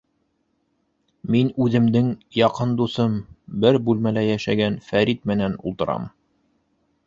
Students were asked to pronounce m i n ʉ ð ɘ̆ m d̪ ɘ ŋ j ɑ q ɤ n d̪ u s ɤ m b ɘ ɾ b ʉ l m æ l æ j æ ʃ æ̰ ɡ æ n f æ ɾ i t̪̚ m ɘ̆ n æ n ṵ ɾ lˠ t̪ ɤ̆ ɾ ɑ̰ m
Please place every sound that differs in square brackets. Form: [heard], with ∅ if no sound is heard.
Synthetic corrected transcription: m i n ʉ ð ɘ̆ m d̪ ɘ ŋ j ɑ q ɤ n d̪ u s ɤ m b ɘ ɾ b ʉ l m æ l æ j æ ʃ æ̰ ɡ æ n f æ ɾ i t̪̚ m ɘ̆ n æ n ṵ [∅] lˠ t̪ ɤ̆ ɾ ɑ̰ m